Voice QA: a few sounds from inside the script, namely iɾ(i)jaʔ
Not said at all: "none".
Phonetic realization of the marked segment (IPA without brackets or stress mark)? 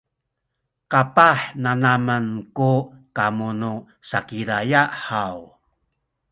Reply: a